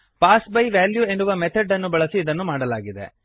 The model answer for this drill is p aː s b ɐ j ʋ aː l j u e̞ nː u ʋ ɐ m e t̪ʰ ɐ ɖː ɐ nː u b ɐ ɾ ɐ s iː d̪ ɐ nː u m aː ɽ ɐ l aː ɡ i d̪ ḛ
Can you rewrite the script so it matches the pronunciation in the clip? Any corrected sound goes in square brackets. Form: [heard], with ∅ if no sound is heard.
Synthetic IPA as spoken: p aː s b ɐ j ʋ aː l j u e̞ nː u ʋ ɐ m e t̪ʰ ɐ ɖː ɐ nː u b ɐ [ɭ] ɐ s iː d̪ ɐ nː u m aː ɽ ɐ l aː ɡ i d̪ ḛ